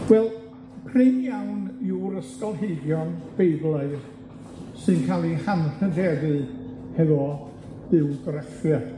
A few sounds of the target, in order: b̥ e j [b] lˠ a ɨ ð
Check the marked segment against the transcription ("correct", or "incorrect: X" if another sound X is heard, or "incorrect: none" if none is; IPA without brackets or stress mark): correct